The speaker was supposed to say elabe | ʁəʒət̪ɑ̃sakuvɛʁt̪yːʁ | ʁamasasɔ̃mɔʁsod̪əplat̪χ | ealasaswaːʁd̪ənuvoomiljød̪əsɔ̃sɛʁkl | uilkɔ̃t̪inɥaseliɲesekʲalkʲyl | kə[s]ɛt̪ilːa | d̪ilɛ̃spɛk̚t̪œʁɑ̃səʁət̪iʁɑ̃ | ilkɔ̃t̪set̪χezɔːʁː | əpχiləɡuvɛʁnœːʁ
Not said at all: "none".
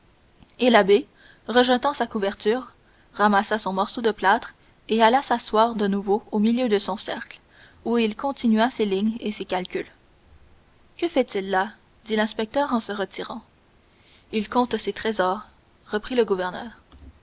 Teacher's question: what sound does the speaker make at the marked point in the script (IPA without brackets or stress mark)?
f